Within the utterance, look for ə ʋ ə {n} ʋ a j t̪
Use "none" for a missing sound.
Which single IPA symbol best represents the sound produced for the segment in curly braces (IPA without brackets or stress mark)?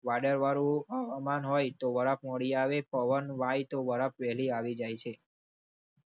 n